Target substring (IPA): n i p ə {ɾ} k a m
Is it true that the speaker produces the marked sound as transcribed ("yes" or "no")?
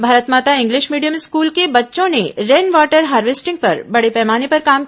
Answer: yes